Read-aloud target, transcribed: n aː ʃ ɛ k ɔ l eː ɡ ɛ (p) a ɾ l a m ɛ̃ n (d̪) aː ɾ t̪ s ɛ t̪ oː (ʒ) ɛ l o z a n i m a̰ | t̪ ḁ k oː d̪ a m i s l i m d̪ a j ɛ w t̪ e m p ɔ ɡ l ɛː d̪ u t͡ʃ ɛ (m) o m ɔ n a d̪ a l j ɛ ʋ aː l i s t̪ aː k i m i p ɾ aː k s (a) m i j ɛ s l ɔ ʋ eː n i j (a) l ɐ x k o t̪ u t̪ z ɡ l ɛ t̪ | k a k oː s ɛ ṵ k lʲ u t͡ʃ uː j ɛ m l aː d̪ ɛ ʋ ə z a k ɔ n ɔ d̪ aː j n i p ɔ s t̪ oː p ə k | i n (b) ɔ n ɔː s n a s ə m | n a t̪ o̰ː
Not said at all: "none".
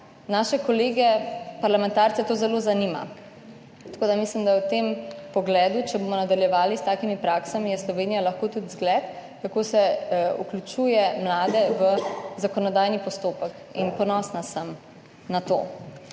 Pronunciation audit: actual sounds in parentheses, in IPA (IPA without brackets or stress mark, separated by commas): p, t̪, z, b, a, a, p